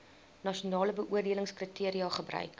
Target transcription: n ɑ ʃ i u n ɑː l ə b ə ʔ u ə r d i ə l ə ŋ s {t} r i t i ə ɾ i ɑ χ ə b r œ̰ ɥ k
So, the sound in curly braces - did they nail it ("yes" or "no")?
no